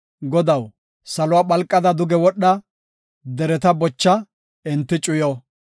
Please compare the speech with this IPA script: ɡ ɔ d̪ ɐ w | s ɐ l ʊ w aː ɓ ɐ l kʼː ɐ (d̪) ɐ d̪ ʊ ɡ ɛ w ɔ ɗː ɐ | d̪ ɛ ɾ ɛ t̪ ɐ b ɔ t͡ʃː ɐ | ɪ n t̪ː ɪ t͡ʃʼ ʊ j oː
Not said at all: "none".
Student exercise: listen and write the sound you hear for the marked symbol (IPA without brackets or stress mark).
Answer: d̪